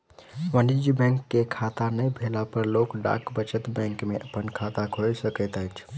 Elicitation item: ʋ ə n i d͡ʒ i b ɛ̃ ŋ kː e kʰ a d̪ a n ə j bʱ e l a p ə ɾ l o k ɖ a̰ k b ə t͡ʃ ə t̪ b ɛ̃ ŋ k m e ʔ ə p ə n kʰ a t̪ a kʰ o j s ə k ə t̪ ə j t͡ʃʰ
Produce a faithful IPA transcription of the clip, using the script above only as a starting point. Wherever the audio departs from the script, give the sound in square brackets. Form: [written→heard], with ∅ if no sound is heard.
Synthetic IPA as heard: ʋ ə n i d͡ʒ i b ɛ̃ ŋ kː e kʰ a [d̪→t̪] a n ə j bʱ e l a p ə ɾ l o k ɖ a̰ k b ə t͡ʃ ə t̪ b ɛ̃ ŋ k m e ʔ ə p ə n kʰ a t̪ a kʰ o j s ə k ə t̪ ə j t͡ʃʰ

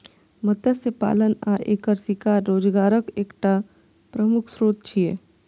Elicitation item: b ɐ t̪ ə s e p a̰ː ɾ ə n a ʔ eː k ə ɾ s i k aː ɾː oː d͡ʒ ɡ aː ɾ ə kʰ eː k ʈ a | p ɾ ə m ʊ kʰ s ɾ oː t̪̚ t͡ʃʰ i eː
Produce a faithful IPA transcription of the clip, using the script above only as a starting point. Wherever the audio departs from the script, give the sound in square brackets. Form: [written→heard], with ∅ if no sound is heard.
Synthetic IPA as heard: [b→m] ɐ t̪ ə s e p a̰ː [ɾ→l] ə n a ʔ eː k ə ɾ s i k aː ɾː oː d͡ʒ ɡ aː ɾ ə [kʰ→k] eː k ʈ a | p ɾ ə m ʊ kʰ s ɾ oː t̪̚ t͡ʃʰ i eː

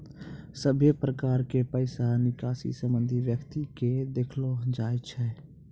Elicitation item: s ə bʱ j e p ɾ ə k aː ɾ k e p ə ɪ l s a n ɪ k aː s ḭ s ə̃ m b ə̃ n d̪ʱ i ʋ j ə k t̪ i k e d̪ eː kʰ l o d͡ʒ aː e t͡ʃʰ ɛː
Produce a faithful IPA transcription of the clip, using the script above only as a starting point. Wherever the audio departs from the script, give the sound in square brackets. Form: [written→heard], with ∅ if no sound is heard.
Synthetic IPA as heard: s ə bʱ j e p ɾ ə k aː ɾ k e p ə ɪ [l→∅] s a n ɪ k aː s ḭ s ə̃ m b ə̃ n d̪ʱ i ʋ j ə k t̪ i k e d̪ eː kʰ l o d͡ʒ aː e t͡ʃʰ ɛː

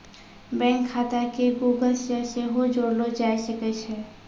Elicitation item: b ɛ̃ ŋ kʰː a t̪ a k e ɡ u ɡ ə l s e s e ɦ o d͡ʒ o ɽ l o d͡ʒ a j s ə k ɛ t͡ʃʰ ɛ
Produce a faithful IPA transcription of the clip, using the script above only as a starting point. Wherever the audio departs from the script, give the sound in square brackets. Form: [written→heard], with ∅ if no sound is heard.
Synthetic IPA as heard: b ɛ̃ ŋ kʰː a t̪ a k e ɡ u ɡ ə l s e s e ɦ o d͡ʒ o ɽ l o d͡ʒ a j s ə k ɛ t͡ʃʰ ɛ

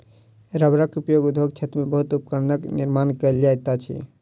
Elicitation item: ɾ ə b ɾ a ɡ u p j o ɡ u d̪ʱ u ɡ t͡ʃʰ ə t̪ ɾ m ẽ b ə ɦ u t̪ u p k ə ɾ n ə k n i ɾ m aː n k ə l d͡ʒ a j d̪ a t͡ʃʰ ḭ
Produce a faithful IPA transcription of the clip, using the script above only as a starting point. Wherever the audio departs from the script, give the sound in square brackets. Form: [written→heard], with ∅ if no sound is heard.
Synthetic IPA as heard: ɾ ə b ɾ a [ɡ→k] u p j o ɡ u d̪ʱ [u→o] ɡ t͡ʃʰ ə t̪ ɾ m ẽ b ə ɦ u t̪ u p k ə ɾ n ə k n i ɾ m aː n k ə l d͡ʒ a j [d̪→t̪] a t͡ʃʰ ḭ

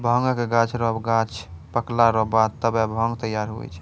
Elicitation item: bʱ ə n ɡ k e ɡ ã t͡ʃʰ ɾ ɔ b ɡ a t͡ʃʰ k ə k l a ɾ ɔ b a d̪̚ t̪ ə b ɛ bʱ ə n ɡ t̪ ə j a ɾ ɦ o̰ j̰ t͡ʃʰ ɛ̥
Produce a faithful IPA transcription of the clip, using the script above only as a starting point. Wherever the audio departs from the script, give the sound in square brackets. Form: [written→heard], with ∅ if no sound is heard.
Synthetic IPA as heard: bʱ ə [n→ŋ] ɡ k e ɡ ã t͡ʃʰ ɾ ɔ b ɡ a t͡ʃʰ [k→p] ə k l a ɾ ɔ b a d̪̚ t̪ ə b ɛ bʱ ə [n→ŋ] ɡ t̪ ə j a ɾ ɦ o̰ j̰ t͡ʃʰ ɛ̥

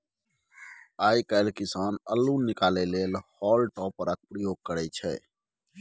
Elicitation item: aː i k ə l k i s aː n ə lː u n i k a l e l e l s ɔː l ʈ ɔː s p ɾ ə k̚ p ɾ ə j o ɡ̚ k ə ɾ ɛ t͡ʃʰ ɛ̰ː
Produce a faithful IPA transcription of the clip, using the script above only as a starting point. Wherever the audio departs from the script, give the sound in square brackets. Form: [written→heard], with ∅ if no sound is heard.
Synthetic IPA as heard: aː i k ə l k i s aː n ə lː u n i k a l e l e l [s→h] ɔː l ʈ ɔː [s→∅] p ɾ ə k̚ p ɾ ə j o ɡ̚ k ə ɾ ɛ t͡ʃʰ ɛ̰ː

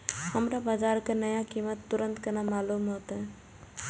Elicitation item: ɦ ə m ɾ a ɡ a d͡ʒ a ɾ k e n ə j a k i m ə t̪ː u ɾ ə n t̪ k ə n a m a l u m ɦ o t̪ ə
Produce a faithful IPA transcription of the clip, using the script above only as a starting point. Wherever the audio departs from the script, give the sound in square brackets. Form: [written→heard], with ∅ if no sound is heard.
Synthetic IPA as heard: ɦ ə m ɾ a [ɡ→b] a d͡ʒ a ɾ k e n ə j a k i m ə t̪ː u ɾ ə n t̪ k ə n a m a l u m ɦ o t̪ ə

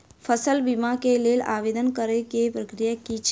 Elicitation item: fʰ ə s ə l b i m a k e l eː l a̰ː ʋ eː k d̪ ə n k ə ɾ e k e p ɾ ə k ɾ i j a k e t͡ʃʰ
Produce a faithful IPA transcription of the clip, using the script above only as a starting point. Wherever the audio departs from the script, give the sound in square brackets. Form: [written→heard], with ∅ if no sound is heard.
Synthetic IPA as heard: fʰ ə s ə l b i m a k e l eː l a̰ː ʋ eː [k→∅] d̪ ə n k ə ɾ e k e p ɾ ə k ɾ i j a k [e→i] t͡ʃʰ

